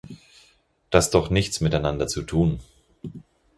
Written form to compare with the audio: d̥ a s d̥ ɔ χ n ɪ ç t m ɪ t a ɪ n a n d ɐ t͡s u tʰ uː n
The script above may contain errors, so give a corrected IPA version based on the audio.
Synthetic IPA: d̥ a s d̥ ɔ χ n ɪ ç t͡s m ɪ t a ɪ n a n d ɐ t͡s u tʰ uː n